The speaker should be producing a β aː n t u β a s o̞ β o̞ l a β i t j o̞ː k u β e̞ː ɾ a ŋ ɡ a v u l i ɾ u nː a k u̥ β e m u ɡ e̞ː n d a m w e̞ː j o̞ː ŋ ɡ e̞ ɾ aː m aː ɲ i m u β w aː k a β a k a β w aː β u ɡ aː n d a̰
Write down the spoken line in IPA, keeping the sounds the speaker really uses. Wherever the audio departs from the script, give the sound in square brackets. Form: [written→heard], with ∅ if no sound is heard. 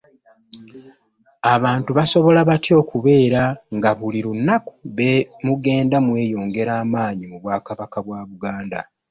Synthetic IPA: a β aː n t u β a s o̞ β o̞ l a β [i→a] t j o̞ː k u β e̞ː ɾ a ŋ ɡ a [v→β] u l i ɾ u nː a k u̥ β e m u ɡ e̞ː n d a m w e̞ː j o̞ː ŋ ɡ e̞ ɾ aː m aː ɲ i m u β w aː k a β a k a β w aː β u ɡ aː n d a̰